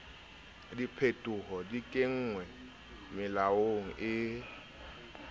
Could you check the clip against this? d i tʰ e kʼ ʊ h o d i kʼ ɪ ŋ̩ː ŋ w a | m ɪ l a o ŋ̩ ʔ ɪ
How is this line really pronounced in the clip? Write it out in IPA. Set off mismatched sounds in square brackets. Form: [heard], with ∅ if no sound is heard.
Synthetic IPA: d i [pʰ] e [tʼ] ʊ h [ɔ] d i kʼ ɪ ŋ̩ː ŋ w [ɛ] | m ɪ l a o ŋ̩ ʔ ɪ